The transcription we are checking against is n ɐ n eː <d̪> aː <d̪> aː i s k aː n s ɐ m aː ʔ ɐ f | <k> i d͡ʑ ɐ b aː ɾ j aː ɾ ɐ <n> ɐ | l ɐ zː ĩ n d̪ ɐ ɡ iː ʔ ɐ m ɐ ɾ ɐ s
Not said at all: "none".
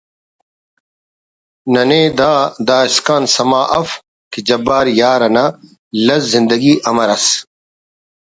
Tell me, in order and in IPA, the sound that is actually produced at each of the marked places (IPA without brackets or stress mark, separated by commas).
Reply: d̪, d̪, k, n